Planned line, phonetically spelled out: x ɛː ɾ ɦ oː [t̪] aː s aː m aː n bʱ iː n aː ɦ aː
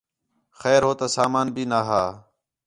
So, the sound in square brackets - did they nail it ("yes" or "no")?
yes